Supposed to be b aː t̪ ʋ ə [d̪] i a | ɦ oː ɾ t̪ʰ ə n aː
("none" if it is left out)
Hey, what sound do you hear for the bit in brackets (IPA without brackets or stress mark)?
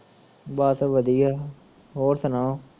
d̪